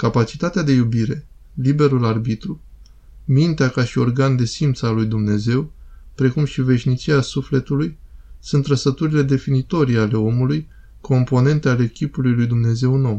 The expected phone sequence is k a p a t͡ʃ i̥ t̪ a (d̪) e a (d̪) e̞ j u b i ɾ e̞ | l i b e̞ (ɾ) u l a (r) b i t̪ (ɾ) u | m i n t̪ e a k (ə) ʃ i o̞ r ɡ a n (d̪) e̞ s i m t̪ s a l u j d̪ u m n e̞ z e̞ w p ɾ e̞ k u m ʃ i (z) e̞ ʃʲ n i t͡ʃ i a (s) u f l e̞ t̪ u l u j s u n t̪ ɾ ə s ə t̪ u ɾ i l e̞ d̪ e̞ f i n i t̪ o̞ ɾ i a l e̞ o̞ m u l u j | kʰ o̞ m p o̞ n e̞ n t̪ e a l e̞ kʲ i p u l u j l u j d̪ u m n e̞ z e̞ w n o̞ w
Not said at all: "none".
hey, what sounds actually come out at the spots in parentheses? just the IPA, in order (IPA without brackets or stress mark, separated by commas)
t̪, d̪, ɾ, r, ɾ, a, d̪, v, s